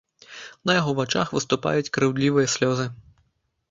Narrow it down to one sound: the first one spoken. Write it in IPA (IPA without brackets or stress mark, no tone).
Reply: n